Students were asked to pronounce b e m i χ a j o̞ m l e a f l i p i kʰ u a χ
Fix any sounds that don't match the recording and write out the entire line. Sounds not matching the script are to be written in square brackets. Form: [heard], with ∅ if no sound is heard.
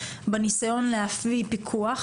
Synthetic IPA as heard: b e [n] i [s] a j o̞ [n] l e a f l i p i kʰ u a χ